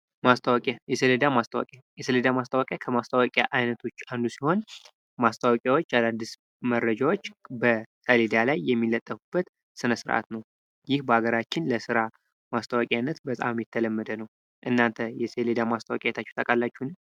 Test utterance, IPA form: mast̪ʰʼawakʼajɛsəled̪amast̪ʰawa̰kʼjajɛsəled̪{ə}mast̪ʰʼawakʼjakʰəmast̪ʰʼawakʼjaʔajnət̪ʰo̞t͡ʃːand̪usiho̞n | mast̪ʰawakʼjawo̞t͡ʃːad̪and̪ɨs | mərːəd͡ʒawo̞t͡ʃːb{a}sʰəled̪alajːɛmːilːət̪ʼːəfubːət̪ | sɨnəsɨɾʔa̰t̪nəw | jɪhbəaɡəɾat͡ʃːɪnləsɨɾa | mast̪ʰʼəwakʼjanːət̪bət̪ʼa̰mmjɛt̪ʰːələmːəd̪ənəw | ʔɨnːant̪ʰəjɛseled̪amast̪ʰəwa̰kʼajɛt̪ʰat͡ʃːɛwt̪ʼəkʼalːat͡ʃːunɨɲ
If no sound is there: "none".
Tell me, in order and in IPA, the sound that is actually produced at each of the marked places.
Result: a, ə

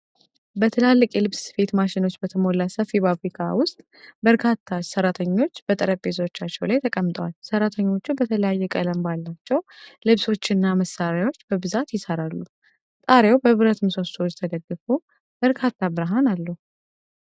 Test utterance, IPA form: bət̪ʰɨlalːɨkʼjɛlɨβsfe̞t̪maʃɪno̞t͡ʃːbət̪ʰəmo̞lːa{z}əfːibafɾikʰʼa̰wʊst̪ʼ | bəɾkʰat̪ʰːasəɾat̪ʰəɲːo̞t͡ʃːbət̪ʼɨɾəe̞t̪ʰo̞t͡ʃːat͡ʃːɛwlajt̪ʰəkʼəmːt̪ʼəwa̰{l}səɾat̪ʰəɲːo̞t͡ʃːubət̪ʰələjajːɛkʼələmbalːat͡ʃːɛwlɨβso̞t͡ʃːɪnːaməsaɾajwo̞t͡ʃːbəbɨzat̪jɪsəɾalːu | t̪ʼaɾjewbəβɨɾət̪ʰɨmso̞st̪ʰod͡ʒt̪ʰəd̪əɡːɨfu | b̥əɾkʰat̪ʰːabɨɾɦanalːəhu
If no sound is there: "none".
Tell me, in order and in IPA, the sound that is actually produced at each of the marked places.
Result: s, l

